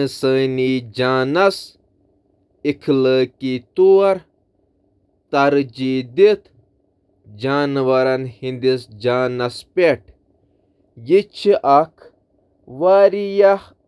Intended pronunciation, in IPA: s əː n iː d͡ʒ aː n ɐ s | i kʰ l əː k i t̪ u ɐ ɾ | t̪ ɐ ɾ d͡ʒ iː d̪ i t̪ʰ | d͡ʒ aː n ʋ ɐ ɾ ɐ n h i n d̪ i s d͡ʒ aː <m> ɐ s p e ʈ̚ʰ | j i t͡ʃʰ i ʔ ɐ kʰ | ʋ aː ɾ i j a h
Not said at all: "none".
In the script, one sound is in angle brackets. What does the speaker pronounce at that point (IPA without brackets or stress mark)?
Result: n